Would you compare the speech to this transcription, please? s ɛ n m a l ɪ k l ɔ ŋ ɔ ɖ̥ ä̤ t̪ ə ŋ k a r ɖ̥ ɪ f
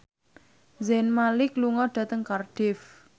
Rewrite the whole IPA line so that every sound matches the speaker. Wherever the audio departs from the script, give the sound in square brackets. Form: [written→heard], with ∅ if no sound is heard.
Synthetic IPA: [s→z] ɛ n m a l ɪ k l [ɔ→u] ŋ ɔ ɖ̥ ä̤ t̪ ə ŋ k a r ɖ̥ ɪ f